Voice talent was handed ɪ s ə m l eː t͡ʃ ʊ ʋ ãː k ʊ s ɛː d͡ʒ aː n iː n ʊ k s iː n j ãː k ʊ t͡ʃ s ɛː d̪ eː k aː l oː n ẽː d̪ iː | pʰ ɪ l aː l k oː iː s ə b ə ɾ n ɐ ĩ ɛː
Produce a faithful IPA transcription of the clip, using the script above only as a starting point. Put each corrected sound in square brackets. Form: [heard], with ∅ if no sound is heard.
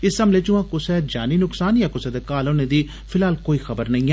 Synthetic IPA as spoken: ɪ s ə m l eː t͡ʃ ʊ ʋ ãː k ʊ s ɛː d͡ʒ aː n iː n ʊ k s [aː] n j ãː k ʊ [∅] s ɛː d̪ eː k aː l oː n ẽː d̪ iː | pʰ ɪ l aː l k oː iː [x] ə b ə ɾ n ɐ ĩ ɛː